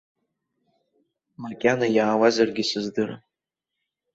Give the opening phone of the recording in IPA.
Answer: m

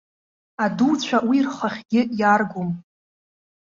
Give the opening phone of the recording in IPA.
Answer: a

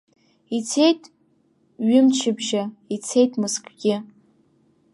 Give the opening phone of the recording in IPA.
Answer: i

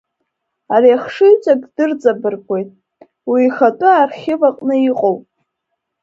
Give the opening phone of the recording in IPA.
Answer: a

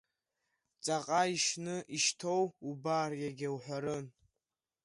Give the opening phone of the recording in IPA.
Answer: t͡sʼ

